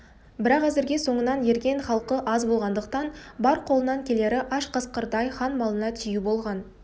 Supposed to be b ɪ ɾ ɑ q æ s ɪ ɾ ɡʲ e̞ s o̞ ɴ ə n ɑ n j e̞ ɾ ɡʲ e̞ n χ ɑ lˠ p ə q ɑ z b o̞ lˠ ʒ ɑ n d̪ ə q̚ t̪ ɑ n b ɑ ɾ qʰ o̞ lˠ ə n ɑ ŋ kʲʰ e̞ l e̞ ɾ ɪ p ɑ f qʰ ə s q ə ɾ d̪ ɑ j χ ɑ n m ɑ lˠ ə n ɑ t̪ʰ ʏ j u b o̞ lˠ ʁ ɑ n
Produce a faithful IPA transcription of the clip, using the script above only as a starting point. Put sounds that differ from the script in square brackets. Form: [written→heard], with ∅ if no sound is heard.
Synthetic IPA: b ɪ ɾ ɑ q æ [s→z] ɪ ɾ ɡʲ e̞ s o̞ ɴ ə n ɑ n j e̞ ɾ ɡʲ e̞ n χ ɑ lˠ [p→q] ə [q→ʔ] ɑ z b o̞ lˠ [ʒ→ʁ] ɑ n d̪ ə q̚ t̪ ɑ n b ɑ ɾ qʰ o̞ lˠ ə n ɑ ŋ kʲʰ e̞ l e̞ ɾ ɪ [p→ʔ] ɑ [f→ʃ] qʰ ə s q ə ɾ d̪ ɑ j χ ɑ n m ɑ lˠ ə n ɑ t̪ʰ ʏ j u b o̞ lˠ ʁ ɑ n